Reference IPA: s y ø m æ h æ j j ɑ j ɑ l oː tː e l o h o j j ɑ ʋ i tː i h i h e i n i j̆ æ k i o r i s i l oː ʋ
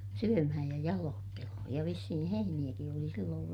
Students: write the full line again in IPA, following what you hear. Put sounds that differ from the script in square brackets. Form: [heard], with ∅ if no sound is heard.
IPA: s y ø m æ h æ j j ɑ j ɑ l oː tː e l o h o j j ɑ ʋ i [sː] i h i h e i n i j̆ æ k i o [l] i s i [lː] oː ʋ